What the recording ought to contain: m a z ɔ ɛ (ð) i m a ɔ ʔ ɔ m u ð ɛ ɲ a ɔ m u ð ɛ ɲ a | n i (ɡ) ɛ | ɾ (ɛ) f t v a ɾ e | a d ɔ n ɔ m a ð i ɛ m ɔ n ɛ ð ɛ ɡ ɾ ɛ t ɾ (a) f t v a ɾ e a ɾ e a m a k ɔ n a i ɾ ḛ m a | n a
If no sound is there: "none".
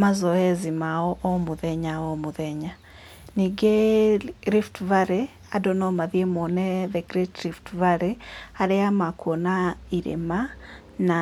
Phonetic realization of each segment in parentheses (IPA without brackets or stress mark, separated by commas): z, ɡ, i, i